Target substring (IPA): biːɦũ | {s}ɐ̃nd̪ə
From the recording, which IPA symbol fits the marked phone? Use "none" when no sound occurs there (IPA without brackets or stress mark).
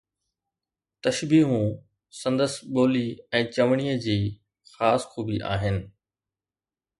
s